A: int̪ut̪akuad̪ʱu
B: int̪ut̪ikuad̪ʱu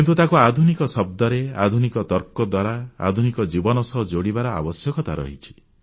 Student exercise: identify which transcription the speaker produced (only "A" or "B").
A